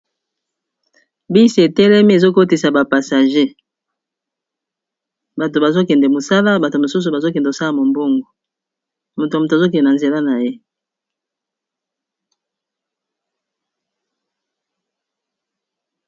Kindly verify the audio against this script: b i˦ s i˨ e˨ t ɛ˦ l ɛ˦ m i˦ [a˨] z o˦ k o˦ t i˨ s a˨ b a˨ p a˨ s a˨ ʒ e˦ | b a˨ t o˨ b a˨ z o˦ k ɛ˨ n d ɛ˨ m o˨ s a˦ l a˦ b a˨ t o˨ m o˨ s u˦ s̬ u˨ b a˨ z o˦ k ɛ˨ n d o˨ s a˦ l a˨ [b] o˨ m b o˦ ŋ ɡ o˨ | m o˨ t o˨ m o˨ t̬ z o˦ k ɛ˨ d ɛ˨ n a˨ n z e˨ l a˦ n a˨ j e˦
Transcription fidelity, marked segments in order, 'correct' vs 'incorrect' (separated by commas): incorrect, incorrect